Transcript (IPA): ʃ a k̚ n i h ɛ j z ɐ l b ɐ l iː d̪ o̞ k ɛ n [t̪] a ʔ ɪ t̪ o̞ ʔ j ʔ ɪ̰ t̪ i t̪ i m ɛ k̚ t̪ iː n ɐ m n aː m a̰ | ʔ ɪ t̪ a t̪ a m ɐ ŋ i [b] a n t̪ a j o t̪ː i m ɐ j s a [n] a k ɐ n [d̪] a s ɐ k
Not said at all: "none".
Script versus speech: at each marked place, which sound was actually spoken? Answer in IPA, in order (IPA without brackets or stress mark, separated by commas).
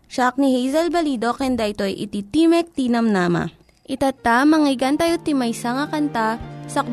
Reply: d̪, ɡ, ŋ, t̪